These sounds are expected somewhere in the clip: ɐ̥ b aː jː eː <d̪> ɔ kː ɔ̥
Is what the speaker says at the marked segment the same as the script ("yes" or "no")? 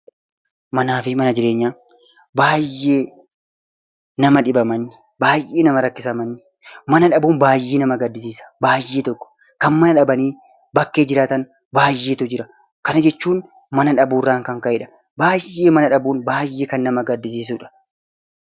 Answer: no